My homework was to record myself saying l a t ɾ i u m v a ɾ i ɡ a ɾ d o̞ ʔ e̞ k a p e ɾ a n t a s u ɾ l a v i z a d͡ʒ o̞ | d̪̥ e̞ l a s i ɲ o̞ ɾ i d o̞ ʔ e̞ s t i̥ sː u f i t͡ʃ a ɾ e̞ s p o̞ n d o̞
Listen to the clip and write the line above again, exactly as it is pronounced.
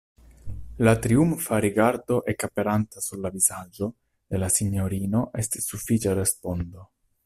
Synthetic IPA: l a t ɾ i u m f a ɾ i ɡ a ɾ d o̞ ʔ e̞ k a p e ɾ a n t a s u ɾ l a v i z a d͡ʒ o̞ | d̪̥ e̞ l a s i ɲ o̞ ɾ i n o̞ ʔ e̞ s t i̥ sː u f i t͡ʃ a ɾ e̞ s p o̞ n d o̞